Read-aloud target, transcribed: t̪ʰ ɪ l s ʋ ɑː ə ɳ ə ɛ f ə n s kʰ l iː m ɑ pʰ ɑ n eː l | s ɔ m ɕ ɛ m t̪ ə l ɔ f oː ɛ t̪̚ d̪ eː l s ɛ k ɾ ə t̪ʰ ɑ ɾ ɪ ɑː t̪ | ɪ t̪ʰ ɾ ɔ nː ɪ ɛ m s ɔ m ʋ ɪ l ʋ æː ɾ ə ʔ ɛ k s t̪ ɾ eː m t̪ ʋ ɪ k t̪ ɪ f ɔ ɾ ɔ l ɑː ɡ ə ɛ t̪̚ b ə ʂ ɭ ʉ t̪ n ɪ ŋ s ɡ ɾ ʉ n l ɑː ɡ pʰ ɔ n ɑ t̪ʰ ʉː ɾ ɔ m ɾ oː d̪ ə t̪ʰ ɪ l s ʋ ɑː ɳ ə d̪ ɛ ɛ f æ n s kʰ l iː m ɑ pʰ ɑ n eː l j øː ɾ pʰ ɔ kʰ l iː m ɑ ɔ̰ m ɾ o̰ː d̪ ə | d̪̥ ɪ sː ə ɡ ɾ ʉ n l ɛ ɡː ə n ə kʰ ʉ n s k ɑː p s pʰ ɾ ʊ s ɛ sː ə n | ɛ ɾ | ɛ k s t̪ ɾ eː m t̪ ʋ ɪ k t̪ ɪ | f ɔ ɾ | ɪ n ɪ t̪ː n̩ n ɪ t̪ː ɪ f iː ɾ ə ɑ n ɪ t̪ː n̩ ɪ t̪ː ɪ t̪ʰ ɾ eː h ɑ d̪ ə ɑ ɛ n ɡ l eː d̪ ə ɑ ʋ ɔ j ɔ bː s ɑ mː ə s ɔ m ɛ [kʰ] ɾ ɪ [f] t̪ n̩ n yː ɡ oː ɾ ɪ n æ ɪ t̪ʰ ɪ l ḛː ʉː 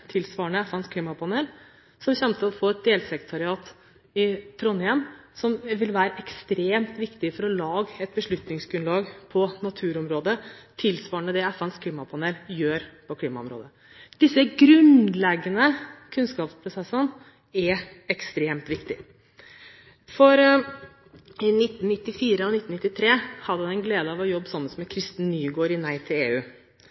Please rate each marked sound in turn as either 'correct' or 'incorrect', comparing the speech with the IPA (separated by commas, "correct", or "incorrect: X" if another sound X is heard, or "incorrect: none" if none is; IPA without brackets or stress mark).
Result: correct, incorrect: s